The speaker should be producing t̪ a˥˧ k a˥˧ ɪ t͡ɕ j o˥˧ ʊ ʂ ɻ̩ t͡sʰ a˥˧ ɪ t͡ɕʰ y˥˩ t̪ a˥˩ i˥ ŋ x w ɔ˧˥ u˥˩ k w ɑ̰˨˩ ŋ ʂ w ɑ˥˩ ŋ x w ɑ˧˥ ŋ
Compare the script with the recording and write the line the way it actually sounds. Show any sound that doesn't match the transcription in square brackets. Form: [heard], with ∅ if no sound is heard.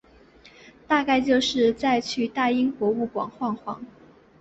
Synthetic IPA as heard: t̪ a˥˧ k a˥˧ ɪ t͡ɕ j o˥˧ ʊ ʂ ɻ̩ [t͡s] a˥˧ ɪ t͡ɕʰ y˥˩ t̪ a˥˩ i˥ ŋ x w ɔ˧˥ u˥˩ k w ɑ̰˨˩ ŋ [x] w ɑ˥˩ ŋ x w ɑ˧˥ ŋ